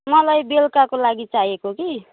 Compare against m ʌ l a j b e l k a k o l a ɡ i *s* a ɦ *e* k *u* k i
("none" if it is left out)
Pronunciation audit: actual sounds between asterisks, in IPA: t͡s, e, o

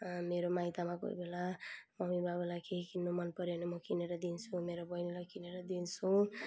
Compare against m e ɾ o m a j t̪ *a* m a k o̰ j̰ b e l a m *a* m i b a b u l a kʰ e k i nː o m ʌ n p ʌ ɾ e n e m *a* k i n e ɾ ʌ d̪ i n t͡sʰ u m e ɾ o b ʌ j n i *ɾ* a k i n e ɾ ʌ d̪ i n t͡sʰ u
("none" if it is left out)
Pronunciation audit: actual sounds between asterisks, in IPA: a, ʌ, ʌ, l

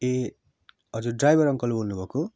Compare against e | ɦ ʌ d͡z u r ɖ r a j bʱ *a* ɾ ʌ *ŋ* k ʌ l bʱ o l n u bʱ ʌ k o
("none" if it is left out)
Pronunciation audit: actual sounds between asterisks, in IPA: ʌ, ŋ

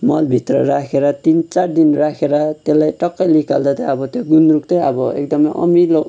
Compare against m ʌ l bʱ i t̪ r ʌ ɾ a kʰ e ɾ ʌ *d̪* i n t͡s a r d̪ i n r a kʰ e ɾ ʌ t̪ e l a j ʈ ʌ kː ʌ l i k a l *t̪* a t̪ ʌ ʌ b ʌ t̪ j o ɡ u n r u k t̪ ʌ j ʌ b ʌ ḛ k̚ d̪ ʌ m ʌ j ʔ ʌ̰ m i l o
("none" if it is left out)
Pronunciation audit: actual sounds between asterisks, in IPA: t̪, d̪

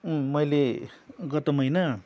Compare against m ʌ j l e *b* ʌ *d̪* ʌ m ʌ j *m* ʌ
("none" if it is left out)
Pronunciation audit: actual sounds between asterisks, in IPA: ɡ, t̪, n

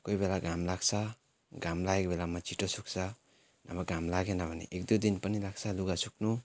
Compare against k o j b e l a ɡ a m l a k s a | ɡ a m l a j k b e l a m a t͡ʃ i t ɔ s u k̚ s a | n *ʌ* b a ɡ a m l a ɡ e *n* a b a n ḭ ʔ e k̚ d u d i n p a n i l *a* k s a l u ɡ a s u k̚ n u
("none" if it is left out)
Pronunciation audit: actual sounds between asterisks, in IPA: a, n, a

